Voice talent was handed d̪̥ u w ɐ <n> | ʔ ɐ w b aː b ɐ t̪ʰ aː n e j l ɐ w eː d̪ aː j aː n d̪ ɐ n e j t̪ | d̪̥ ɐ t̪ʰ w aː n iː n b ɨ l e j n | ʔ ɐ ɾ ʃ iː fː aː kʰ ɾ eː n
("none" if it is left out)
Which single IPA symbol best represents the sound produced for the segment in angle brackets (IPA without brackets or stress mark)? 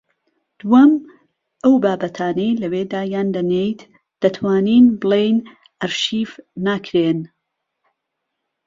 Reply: m